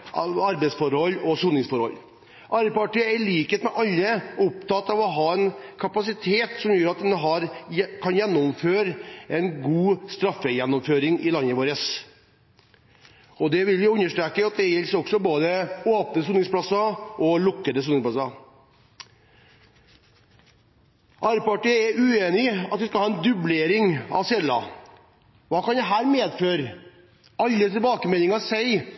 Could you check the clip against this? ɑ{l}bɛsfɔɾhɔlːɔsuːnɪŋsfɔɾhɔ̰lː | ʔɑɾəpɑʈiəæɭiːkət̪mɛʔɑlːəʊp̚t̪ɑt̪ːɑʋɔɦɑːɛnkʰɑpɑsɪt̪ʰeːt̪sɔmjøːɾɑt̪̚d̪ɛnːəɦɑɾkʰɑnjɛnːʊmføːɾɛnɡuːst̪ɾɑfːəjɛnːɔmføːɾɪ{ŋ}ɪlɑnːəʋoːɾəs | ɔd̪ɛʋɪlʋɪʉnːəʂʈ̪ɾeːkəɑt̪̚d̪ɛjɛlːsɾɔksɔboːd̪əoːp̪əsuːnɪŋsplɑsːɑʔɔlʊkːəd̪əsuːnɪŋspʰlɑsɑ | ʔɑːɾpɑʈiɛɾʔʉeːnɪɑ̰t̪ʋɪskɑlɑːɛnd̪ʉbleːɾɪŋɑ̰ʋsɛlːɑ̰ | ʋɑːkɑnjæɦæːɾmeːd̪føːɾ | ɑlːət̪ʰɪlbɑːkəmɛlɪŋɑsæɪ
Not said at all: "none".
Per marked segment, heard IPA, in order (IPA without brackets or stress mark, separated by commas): ɾ, ŋ